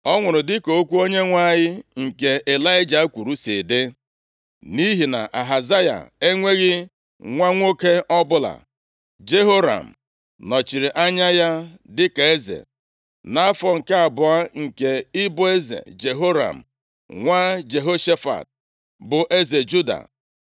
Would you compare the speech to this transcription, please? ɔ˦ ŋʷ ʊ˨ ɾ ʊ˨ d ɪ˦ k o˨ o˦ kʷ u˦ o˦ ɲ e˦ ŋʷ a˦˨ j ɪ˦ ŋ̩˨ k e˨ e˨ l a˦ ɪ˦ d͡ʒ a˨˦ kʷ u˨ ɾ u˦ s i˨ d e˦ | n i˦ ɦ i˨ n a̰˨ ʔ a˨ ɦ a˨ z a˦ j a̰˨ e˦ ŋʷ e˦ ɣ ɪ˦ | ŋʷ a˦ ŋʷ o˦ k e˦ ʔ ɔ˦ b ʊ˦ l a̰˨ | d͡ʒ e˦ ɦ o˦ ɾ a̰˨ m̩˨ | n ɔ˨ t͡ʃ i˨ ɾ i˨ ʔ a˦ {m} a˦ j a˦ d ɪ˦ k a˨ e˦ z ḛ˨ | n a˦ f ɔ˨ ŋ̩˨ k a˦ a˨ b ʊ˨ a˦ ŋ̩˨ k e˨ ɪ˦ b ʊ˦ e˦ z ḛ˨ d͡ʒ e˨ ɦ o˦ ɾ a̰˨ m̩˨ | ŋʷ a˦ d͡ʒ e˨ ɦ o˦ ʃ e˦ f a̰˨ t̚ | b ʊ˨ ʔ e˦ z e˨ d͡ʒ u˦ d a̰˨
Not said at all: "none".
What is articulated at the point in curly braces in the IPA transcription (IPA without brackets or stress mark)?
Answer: ɲ